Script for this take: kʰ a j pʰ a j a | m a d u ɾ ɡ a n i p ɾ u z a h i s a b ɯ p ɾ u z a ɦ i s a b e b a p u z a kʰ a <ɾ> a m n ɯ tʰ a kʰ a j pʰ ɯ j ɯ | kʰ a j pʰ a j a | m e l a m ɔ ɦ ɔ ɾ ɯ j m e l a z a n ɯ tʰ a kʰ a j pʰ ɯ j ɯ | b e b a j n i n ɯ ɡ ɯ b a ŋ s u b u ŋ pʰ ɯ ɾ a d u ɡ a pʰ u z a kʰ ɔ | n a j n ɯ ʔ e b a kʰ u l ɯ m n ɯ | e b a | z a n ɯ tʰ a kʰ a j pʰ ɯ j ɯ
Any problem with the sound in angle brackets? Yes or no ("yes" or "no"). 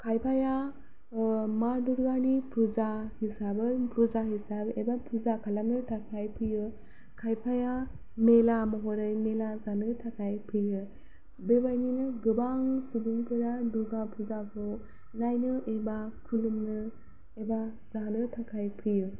yes